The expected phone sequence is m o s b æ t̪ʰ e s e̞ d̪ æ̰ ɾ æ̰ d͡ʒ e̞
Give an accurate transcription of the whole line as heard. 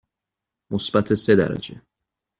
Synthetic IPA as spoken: m o s b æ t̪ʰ e s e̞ d̪ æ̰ ɾ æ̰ d͡ʒ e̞